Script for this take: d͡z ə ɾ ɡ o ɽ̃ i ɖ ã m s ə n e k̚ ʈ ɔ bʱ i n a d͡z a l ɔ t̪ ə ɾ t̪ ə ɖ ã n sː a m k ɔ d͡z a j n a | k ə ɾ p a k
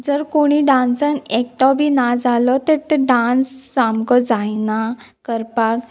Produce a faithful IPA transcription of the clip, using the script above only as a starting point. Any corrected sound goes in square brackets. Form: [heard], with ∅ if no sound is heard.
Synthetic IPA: d͡z ə ɾ [k] o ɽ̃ i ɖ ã [n] s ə n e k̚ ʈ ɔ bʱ i n a d͡z a l ɔ t̪ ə ɾ t̪ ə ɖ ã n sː a m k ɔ d͡z a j n a | k ə ɾ p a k